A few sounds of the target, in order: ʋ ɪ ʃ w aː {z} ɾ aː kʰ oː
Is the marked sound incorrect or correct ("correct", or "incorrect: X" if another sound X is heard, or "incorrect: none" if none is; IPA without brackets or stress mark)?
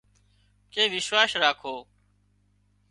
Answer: incorrect: s